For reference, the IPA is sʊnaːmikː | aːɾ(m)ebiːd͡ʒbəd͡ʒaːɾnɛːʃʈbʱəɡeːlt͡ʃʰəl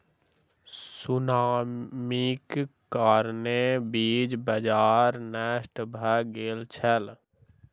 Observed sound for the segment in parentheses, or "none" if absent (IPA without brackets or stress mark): n